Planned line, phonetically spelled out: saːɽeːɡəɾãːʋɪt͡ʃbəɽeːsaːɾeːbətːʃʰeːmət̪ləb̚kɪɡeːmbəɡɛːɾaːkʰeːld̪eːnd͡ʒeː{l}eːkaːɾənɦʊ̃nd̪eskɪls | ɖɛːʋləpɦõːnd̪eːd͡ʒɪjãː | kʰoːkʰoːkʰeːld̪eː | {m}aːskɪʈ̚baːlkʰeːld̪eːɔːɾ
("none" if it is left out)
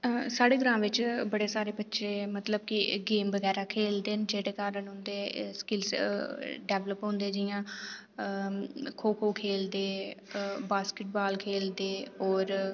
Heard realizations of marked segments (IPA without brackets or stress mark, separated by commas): ɽ, b